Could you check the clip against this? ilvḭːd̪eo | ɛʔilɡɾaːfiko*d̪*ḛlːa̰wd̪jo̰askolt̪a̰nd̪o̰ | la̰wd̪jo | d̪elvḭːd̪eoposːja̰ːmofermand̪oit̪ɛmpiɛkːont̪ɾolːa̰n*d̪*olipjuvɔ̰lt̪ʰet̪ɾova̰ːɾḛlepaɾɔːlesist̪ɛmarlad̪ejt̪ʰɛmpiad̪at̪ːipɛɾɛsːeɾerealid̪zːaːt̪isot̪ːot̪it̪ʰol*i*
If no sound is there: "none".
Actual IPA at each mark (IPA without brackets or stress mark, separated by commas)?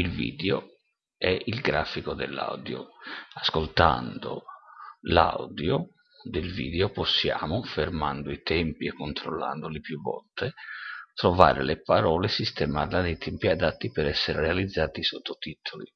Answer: d̪, d̪, i